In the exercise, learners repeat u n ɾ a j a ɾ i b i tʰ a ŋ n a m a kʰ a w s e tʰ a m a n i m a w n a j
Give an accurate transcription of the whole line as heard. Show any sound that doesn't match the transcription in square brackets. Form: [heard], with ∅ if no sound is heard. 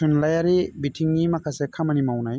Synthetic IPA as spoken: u n [l] a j a ɾ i b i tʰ [i] ŋ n [i] m a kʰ a [∅] s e [kʰ] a m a n i m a w n a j